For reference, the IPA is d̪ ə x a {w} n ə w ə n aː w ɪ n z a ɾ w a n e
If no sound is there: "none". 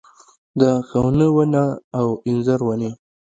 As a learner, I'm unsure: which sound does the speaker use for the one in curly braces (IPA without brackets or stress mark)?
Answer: w